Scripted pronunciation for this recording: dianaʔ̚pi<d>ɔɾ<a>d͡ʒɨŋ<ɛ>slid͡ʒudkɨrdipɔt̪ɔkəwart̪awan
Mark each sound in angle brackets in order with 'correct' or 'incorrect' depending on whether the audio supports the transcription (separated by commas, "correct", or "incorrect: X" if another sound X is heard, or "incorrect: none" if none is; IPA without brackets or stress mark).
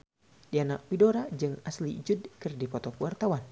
correct, correct, incorrect: a